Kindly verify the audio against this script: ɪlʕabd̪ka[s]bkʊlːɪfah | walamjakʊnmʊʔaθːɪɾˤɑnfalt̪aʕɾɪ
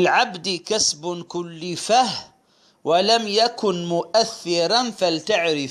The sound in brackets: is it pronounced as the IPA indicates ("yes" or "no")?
yes